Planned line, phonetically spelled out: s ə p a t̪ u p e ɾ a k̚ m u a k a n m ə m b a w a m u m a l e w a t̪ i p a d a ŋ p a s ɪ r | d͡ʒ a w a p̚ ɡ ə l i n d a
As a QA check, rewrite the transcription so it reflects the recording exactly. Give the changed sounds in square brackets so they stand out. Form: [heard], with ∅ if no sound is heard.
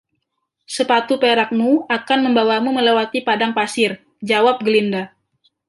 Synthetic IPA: s ə p a t̪ u p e ɾ a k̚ m u a k a n m ə m b a w a m u m [ə] l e w a t̪ i p a d a ŋ p a s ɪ r | d͡ʒ a w a p̚ ɡ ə l i n d a